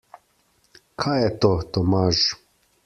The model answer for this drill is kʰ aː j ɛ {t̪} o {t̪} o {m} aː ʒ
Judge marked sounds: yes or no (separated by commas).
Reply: yes, yes, yes